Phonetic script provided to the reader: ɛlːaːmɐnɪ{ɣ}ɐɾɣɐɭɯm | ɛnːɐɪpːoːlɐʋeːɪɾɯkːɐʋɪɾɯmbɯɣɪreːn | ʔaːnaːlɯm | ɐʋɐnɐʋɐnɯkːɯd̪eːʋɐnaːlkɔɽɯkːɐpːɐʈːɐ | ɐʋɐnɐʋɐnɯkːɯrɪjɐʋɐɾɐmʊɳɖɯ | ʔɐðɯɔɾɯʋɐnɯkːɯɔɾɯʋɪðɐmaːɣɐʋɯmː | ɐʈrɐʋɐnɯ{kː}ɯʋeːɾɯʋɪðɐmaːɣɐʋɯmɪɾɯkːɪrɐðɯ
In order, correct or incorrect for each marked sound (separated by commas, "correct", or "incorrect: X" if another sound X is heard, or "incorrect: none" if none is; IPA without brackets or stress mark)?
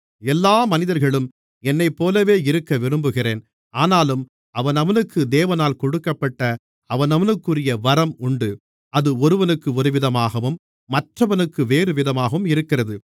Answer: incorrect: ð, correct